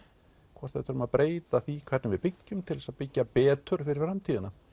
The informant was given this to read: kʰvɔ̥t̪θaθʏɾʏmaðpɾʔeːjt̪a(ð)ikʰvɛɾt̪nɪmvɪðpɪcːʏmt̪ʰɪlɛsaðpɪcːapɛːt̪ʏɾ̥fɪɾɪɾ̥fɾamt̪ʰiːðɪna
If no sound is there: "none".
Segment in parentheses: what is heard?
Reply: θ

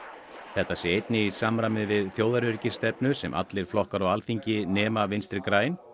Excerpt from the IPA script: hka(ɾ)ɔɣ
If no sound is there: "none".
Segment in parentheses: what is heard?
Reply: ɾ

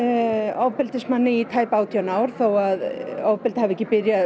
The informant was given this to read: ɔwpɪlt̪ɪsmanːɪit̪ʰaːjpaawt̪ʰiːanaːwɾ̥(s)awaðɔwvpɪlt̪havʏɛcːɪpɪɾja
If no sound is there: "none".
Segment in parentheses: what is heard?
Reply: θ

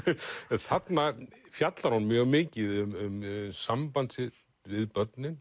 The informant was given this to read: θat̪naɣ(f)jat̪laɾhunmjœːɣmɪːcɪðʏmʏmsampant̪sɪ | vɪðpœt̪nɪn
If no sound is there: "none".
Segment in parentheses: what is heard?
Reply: f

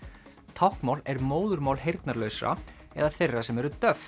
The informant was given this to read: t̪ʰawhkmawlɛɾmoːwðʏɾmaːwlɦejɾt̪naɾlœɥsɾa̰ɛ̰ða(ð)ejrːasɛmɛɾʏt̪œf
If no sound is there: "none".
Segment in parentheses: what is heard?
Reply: θ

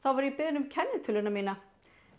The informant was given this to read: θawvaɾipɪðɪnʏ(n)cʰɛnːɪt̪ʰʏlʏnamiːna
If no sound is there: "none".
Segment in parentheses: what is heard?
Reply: m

